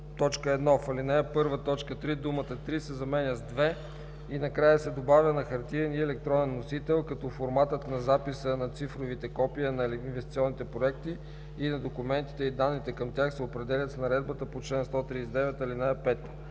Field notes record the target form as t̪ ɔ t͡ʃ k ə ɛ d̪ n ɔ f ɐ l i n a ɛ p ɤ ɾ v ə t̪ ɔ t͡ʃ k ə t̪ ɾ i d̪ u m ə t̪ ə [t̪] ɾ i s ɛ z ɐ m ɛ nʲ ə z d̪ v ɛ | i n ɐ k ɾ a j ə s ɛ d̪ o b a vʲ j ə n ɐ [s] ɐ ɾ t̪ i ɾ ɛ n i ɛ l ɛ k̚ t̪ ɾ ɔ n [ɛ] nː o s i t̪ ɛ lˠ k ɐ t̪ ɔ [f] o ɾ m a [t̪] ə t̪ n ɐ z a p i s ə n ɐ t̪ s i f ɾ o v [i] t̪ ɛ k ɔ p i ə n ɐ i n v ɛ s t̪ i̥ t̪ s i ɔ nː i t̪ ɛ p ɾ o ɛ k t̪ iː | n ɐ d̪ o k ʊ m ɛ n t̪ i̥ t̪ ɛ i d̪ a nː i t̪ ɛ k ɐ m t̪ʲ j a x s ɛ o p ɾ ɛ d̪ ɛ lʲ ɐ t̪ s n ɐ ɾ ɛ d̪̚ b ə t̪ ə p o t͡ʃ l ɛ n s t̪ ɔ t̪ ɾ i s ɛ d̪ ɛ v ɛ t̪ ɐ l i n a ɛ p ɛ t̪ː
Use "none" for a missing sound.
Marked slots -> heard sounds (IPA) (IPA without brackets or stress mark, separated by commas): t̪, x, ɛ, f, t̪, i